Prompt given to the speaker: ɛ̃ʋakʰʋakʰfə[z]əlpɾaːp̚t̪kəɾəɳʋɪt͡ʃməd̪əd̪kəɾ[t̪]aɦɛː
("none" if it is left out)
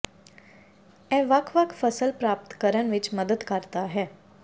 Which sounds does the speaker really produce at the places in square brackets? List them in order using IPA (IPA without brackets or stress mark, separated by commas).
s, t̪